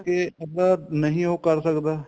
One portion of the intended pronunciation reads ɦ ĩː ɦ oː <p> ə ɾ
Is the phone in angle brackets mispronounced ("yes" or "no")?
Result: yes